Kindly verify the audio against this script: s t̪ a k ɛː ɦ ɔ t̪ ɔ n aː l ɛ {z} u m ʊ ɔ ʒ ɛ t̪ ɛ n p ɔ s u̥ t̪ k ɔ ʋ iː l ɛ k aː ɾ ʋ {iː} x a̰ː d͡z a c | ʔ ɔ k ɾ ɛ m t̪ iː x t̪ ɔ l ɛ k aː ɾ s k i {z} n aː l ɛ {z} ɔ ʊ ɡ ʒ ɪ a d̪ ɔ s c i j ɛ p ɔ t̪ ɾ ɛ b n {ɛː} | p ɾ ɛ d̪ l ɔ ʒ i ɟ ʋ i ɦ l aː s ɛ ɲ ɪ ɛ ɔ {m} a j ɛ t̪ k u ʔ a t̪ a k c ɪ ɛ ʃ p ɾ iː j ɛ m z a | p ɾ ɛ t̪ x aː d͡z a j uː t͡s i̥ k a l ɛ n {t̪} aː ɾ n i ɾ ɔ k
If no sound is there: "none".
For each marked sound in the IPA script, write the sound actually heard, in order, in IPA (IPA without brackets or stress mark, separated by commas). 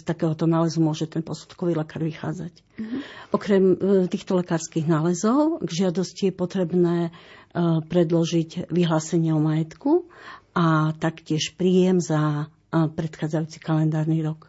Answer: z, i, ɣ, z, ɛː, m, d̪